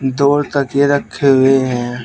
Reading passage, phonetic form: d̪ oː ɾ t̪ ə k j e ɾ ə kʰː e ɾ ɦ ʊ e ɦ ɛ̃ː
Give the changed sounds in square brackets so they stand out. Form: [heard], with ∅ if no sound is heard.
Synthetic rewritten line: d̪ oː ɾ t̪ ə k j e ɾ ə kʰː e [∅] ɦ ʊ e ɦ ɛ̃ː